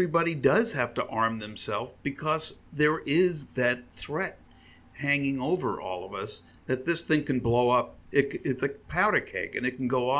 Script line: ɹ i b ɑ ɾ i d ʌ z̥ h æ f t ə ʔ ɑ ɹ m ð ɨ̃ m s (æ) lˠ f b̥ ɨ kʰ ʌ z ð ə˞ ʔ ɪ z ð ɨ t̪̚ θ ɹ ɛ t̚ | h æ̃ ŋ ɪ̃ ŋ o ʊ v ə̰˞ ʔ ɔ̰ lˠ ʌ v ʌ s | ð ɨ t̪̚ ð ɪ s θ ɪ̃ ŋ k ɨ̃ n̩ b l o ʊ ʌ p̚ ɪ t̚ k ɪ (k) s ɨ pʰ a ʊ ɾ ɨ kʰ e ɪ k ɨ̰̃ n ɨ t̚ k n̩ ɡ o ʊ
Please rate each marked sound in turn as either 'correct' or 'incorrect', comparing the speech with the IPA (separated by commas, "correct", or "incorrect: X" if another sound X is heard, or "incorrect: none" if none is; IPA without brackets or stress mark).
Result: incorrect: ɛ, incorrect: t